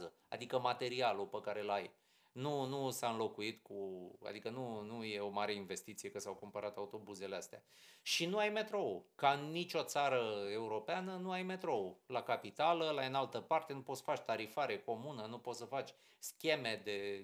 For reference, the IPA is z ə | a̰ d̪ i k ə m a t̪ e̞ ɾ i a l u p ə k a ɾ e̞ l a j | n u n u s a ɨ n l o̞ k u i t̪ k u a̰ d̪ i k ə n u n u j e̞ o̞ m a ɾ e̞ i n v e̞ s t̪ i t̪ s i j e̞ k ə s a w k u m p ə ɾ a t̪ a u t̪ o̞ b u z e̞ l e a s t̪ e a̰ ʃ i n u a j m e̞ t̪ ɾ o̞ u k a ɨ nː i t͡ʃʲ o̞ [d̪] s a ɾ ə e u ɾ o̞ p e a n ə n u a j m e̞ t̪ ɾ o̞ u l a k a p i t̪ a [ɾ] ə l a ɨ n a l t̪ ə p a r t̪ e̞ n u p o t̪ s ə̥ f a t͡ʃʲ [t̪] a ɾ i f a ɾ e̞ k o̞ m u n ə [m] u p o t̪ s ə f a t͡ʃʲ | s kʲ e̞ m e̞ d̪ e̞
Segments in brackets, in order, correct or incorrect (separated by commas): incorrect, incorrect, correct, incorrect